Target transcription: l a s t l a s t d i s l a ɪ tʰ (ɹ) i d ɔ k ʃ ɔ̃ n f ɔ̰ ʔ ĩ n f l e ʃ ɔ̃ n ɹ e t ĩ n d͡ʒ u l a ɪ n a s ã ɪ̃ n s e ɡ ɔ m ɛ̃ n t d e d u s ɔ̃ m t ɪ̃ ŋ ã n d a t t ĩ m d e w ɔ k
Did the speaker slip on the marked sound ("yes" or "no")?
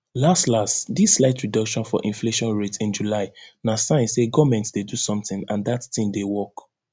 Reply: no